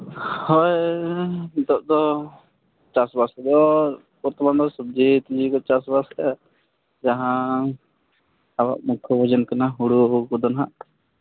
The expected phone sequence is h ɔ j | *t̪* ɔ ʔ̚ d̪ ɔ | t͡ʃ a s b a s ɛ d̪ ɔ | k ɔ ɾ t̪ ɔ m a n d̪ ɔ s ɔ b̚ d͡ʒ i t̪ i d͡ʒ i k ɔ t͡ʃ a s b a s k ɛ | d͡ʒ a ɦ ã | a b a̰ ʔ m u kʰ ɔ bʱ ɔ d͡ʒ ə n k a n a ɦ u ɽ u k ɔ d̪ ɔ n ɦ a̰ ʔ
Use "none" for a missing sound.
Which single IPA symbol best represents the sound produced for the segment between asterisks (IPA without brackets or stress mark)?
d̪